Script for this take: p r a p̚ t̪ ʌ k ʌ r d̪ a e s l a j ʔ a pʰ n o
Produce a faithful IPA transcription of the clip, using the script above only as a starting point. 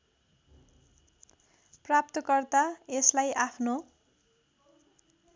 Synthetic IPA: p r a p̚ t̪ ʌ k ʌ r t̪ a e s l a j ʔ a pʰ n o